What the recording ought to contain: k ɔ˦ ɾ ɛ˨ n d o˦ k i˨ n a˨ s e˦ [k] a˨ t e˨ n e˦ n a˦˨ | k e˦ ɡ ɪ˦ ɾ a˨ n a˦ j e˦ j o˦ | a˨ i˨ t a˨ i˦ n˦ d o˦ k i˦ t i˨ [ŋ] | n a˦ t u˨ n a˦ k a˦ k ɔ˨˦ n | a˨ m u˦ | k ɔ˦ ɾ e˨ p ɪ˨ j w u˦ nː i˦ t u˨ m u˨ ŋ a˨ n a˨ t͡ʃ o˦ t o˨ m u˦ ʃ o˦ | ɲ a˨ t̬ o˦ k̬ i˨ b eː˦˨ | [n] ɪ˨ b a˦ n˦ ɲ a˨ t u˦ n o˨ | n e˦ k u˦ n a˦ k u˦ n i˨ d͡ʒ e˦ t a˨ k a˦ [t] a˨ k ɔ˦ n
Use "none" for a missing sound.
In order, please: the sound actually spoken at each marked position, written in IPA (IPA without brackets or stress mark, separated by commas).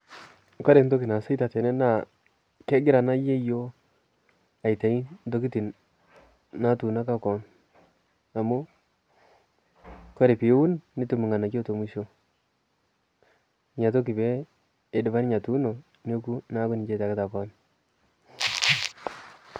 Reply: t, n, d, t